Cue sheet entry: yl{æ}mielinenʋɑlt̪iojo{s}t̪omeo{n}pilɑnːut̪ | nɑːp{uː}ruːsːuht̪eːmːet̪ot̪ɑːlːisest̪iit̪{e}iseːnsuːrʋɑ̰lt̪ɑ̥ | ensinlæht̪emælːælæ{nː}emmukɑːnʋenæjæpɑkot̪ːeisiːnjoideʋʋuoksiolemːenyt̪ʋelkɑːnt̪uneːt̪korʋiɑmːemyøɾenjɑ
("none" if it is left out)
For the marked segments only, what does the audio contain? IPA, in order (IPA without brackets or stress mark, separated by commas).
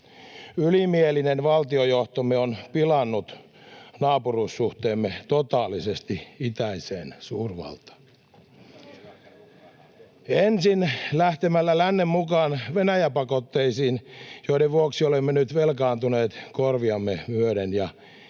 i, h, n, u, æ, nː